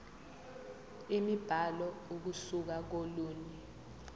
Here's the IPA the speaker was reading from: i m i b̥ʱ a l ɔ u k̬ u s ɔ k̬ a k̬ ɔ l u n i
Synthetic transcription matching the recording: i m i b̥ʱ a l ɔ u k̬ u s u k̬ a k̬ o l uː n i